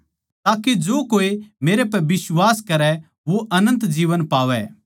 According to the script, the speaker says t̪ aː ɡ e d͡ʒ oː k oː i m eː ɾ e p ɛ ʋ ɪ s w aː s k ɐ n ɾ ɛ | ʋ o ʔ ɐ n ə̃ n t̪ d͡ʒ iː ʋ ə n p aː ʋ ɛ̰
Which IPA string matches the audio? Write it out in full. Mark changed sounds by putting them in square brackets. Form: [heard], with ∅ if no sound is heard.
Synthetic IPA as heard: t̪ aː [k] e d͡ʒ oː k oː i m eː ɾ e p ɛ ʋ ɪ s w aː s k ɐ [∅] ɾ ɛ | ʋ o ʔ ɐ n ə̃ n t̪ d͡ʒ iː ʋ ə n p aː ʋ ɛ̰